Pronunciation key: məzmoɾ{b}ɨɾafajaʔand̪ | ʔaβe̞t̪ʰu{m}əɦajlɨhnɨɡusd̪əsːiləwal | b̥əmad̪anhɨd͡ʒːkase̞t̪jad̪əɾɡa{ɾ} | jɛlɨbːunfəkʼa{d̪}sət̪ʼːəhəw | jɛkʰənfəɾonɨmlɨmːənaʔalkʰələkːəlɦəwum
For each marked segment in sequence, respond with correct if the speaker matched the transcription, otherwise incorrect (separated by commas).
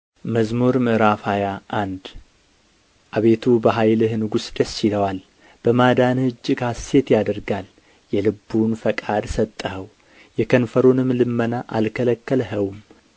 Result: incorrect, incorrect, incorrect, correct